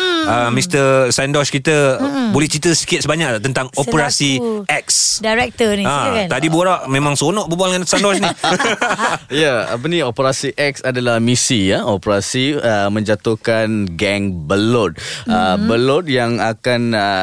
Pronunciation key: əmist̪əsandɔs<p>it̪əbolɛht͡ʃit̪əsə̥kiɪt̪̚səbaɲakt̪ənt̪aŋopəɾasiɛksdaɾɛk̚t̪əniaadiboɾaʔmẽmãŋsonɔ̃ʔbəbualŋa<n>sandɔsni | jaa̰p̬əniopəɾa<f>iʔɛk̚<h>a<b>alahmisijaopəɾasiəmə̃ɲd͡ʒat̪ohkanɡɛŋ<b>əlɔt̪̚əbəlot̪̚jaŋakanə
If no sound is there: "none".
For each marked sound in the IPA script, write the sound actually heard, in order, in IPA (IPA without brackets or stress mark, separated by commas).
k, n, s, s, d, b